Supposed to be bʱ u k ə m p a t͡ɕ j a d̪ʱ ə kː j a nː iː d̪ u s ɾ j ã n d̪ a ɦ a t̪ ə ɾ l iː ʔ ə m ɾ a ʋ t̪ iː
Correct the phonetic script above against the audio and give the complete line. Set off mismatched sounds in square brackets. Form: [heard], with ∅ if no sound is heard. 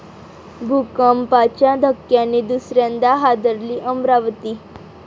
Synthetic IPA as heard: bʱ u k ə m p a t͡ɕ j a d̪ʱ ə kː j a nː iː d̪ u s ɾ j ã n d̪ a ɦ a [d̪] ə ɾ l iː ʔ ə m ɾ a ʋ t̪ iː